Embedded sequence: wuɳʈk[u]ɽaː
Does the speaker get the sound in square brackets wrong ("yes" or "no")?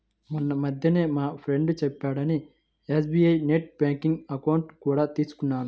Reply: yes